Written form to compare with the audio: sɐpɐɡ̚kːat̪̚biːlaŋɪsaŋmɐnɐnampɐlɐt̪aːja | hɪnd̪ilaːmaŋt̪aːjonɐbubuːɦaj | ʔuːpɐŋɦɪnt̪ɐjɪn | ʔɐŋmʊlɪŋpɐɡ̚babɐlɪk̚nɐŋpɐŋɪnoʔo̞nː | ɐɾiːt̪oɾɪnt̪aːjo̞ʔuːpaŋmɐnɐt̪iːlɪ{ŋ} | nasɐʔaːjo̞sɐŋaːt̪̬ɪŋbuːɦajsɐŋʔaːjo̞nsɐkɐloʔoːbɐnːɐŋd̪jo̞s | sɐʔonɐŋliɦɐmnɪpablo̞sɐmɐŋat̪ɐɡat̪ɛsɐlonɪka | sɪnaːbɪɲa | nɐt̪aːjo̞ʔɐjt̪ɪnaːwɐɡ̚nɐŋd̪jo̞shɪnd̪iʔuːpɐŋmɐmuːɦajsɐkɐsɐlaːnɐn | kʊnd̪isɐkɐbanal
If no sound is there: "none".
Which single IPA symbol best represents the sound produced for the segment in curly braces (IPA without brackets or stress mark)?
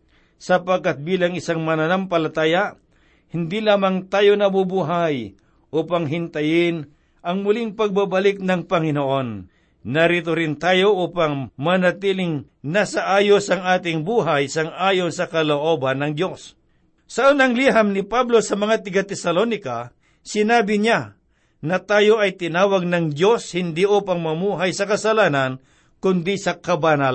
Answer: ŋ